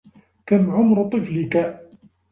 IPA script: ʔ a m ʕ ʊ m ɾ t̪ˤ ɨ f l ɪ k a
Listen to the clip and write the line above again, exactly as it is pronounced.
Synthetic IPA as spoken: k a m ʕ ʊ m ɾ t̪ˤ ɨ f l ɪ k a